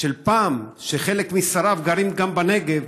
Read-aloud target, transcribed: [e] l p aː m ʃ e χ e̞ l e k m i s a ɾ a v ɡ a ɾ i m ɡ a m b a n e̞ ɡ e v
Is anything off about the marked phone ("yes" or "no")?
no